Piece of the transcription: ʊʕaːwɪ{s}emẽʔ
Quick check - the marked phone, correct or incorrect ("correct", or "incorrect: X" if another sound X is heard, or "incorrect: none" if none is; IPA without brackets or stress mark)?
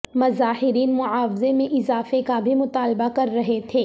incorrect: z